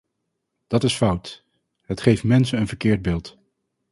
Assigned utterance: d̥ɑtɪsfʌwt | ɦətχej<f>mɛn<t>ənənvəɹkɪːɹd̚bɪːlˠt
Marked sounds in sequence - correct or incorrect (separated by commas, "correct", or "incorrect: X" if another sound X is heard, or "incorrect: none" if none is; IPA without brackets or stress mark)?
correct, incorrect: s